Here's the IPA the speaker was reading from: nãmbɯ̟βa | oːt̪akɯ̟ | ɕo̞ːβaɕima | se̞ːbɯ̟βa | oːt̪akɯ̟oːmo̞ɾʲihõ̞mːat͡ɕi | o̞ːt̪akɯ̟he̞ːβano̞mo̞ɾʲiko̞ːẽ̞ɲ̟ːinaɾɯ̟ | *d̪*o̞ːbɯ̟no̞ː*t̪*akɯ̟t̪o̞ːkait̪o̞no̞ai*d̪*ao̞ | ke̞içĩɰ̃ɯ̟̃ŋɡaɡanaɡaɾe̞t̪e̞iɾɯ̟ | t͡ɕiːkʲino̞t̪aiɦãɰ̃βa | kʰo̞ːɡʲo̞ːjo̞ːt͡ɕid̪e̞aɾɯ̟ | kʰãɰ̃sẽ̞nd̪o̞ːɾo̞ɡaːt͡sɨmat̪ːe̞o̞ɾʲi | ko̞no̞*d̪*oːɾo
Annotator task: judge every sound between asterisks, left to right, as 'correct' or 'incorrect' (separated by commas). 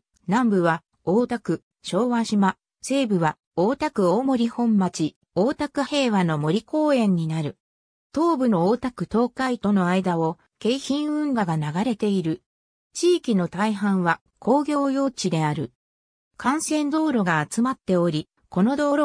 incorrect, correct, correct, correct